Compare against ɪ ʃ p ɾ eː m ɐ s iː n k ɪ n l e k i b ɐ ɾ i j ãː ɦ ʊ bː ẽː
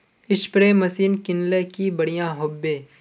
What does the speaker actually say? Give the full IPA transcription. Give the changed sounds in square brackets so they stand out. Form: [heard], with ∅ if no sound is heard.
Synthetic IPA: ɪ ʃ p ɾ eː m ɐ s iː n k ɪ n l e k i b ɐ [ɽ] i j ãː ɦ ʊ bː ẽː